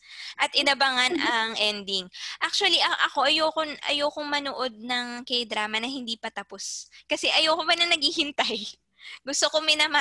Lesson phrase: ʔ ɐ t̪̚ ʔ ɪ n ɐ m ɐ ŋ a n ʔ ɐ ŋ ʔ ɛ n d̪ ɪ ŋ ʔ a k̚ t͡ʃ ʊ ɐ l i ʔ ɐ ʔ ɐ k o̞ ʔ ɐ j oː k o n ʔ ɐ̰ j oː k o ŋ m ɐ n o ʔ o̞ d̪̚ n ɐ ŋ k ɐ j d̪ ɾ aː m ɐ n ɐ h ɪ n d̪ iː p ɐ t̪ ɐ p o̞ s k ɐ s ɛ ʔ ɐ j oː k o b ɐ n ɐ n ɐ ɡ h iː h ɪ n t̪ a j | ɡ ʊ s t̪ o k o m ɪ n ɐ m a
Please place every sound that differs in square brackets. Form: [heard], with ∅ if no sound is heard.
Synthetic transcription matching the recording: ʔ ɐ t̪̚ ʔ ɪ n ɐ [b] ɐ ŋ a n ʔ ɐ ŋ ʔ ɛ n d̪ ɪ ŋ ʔ a k̚ t͡ʃ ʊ ɐ l i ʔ ɐ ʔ ɐ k o̞ ʔ ɐ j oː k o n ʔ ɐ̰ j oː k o ŋ m ɐ n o ʔ o̞ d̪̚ n ɐ ŋ k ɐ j d̪ ɾ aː m ɐ n ɐ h ɪ n d̪ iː p ɐ t̪ ɐ p o̞ s k ɐ s ɛ ʔ ɐ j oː k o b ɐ n ɐ n ɐ ɡ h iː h ɪ n t̪ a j | ɡ ʊ s t̪ o k o m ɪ n ɐ m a